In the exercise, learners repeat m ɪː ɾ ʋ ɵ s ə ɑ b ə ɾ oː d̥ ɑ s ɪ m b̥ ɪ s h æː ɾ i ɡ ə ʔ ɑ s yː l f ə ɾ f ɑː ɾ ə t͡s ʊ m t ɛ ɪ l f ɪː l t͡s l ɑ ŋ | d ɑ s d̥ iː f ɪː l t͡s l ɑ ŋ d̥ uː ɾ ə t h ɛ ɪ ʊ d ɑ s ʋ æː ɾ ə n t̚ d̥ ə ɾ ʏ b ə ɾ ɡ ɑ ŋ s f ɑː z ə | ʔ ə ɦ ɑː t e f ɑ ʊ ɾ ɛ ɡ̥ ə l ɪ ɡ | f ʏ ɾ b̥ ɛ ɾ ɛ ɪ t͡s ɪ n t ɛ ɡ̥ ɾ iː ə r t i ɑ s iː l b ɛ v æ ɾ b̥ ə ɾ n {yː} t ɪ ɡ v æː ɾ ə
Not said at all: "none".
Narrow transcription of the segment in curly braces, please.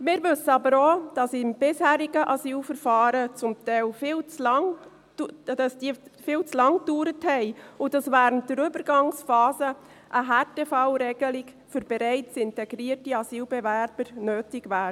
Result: øː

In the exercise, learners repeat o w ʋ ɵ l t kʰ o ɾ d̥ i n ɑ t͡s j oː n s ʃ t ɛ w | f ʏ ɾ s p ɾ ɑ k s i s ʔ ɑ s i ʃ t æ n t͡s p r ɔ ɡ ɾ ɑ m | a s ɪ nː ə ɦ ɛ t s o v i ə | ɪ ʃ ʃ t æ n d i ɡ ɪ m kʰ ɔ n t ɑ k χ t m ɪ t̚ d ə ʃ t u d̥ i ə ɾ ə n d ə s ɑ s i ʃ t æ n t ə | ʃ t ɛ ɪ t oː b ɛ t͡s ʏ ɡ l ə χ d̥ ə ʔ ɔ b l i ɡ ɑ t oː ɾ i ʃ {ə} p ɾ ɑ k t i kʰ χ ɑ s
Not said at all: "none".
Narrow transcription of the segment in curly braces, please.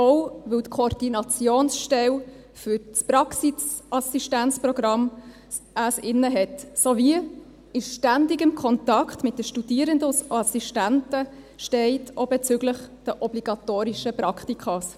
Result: ə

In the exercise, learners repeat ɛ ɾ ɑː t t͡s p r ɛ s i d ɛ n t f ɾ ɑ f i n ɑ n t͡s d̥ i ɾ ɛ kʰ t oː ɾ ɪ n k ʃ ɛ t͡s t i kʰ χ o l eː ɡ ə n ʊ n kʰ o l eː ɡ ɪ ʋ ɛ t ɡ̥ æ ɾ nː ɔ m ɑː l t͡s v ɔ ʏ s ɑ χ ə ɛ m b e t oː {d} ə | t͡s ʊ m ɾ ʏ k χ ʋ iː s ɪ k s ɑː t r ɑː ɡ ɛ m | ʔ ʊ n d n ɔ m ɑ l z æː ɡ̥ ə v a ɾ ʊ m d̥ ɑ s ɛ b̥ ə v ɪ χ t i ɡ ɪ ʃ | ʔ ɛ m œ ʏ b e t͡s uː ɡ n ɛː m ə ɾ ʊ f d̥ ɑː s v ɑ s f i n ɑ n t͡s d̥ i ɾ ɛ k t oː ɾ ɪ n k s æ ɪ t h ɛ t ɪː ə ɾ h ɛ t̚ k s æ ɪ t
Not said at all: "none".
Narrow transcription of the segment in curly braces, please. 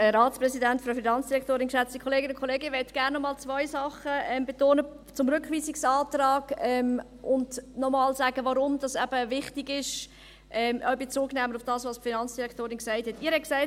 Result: n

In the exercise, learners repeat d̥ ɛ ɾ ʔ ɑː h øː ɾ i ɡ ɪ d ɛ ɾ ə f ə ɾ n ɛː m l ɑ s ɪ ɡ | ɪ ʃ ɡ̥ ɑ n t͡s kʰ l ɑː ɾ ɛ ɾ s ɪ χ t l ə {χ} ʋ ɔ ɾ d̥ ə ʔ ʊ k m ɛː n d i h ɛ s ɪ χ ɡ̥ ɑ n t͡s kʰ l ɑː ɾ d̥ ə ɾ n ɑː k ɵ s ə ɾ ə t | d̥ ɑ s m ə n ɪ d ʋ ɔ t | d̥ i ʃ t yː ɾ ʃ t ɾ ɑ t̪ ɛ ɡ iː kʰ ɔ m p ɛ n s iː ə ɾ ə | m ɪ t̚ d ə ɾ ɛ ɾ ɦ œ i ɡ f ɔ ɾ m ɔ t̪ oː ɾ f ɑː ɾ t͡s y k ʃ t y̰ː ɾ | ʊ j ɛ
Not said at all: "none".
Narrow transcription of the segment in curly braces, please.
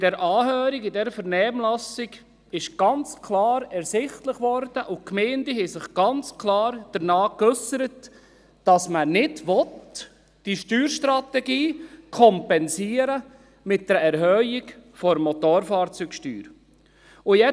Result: χ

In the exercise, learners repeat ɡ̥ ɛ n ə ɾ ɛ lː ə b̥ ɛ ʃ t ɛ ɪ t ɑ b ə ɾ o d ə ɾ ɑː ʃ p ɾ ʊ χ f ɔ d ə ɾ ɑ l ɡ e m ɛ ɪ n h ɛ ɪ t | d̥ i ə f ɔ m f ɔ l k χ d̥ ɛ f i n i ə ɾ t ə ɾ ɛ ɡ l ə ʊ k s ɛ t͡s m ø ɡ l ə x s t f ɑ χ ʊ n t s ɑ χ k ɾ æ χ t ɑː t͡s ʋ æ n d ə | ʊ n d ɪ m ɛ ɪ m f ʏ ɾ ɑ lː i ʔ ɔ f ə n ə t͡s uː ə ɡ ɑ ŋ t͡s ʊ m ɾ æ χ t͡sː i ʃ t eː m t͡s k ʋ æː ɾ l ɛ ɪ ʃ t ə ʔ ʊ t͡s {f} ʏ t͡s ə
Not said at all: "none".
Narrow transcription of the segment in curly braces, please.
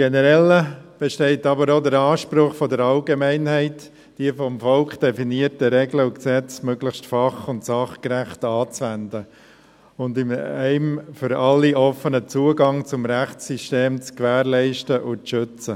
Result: ʃ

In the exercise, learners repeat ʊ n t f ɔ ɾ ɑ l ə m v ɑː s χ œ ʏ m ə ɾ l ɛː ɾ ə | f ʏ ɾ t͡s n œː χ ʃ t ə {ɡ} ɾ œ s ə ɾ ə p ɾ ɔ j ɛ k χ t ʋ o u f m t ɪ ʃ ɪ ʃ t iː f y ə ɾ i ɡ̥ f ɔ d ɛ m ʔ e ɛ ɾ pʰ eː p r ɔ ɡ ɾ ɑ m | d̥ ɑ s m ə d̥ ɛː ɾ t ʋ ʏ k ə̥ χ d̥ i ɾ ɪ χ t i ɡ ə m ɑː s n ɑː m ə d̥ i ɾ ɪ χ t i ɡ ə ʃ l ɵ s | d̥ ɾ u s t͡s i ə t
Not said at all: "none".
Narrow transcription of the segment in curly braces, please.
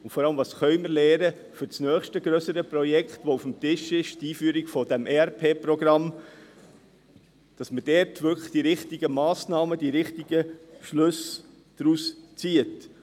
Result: ɡ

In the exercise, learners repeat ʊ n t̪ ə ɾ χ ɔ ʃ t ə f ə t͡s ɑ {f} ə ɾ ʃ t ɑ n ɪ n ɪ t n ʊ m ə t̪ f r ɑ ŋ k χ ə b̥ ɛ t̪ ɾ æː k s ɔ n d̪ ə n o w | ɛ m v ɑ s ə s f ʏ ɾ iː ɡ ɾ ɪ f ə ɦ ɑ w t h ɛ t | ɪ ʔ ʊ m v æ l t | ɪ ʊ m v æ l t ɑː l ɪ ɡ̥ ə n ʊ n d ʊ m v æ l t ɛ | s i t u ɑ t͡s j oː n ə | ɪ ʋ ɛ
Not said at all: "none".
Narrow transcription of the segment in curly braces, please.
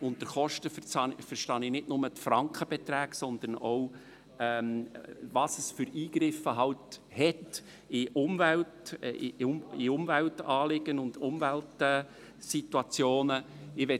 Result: f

